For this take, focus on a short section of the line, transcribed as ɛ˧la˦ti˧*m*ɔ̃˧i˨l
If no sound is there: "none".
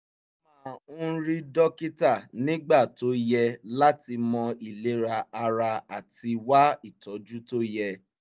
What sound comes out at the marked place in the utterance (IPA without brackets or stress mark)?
m